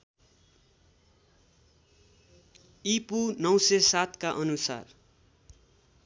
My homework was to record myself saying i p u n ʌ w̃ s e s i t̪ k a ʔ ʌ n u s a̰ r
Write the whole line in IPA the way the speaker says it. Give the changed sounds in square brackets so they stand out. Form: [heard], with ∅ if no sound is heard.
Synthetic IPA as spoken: i p u n ʌ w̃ s e s [a] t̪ k a ʔ ʌ n u s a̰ r